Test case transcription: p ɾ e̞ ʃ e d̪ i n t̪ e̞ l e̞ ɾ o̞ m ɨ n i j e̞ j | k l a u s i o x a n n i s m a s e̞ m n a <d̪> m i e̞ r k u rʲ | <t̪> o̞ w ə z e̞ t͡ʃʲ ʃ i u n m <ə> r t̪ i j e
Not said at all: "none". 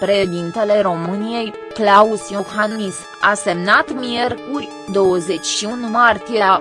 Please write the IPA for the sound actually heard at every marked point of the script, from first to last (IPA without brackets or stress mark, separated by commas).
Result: t̪, d̪, a